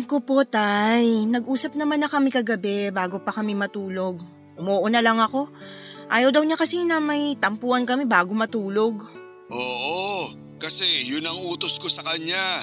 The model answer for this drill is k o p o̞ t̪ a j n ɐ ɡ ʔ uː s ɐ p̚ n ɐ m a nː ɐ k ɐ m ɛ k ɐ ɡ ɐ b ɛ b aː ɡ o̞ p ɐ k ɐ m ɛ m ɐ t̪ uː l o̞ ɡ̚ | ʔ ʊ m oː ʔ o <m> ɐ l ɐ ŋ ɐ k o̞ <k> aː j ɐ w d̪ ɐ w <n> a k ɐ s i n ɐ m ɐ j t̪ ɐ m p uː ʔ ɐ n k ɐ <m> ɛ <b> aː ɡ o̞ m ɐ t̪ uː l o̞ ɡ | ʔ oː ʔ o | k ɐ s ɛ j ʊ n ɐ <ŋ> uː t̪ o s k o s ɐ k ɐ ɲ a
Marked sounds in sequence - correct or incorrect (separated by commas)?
incorrect, incorrect, incorrect, correct, correct, correct